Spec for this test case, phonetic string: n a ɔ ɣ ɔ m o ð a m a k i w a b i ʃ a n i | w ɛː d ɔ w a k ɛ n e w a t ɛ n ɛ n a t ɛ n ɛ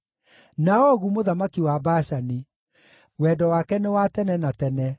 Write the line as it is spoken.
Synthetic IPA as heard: n a ɔ ɣ u m o ð a m a k i w a b a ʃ a n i | w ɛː d ɔ w a k ɛ n e w a t ɛ n ɛ n a t ɛ n ɛ